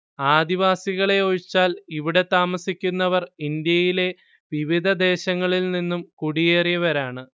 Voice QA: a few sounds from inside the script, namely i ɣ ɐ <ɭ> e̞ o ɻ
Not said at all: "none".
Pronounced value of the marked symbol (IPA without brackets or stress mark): ɭ